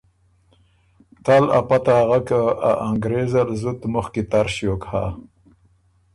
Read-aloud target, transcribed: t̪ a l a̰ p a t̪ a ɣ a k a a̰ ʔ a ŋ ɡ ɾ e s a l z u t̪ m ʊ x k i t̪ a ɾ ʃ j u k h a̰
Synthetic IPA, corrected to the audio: t̪ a l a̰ p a t̪ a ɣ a k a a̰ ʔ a ŋ ɡ ɾ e z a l z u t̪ m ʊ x k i t̪ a ɾ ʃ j o k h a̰